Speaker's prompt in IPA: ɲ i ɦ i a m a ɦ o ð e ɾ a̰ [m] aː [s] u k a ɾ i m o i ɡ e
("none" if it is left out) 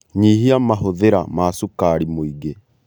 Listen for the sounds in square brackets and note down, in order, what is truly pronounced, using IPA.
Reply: m, s

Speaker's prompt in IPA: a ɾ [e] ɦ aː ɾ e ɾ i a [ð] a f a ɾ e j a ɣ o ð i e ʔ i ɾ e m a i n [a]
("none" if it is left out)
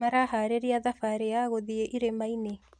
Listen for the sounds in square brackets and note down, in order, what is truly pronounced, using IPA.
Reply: a, ð, e

